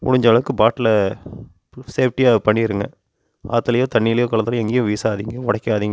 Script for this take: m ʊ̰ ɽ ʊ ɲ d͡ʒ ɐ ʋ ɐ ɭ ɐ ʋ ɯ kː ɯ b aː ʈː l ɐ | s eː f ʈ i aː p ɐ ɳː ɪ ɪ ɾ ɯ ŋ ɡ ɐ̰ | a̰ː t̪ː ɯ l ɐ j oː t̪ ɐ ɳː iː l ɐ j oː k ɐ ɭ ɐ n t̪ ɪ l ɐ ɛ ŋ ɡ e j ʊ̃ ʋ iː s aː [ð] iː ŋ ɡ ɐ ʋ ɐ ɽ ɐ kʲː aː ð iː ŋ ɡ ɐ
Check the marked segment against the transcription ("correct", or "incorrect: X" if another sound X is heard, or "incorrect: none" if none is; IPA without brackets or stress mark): correct